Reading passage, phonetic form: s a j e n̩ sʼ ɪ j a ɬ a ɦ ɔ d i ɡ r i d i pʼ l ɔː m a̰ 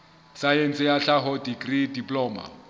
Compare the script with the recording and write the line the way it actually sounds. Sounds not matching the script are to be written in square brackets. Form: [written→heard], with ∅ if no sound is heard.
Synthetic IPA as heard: s a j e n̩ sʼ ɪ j a ɬ a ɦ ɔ d i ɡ r i d i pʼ l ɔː m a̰